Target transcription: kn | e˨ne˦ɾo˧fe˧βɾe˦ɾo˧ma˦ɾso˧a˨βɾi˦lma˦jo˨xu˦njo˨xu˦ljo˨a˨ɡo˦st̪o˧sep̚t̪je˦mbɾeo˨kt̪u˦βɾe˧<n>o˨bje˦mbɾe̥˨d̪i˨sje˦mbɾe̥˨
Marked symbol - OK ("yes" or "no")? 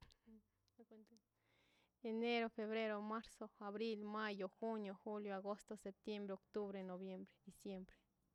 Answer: yes